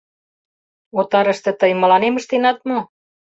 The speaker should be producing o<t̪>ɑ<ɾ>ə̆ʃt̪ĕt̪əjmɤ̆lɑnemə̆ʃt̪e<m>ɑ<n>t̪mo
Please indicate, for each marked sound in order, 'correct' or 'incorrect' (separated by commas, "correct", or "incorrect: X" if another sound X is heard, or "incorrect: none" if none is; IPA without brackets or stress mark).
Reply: correct, correct, incorrect: n, incorrect: none